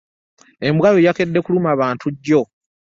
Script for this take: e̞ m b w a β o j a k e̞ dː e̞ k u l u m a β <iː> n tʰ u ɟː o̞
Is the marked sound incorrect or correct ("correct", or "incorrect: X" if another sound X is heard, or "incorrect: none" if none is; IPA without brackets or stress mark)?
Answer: incorrect: aː